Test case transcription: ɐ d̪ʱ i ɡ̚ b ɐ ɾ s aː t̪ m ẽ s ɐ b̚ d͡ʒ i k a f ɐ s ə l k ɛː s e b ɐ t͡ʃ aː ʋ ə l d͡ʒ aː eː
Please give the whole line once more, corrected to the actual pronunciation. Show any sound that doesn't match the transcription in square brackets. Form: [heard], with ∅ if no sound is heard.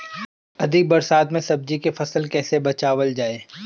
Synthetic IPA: ɐ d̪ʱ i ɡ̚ b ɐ ɾ s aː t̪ m ẽ s ɐ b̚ d͡ʒ i k [e] f ɐ s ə l k ɛː s e b ɐ t͡ʃ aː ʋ ə l d͡ʒ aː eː